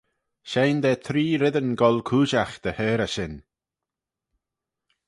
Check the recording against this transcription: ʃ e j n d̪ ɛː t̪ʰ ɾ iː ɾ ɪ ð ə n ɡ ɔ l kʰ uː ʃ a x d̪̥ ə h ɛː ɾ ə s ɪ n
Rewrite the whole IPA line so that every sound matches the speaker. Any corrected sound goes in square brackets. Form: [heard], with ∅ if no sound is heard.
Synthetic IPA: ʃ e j n d̪ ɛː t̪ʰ ɾ iː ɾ ɪ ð ə n ɡ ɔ l kʰ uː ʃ a x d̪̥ ə h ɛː ɾ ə [ʃ] ɪ n